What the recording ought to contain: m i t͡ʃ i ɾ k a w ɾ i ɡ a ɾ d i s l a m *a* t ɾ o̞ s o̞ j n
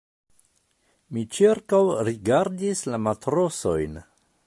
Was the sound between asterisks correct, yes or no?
yes